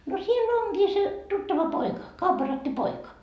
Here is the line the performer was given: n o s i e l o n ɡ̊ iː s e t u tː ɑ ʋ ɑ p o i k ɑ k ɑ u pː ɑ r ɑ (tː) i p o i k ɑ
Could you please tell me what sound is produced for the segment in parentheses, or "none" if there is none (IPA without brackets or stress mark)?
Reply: tː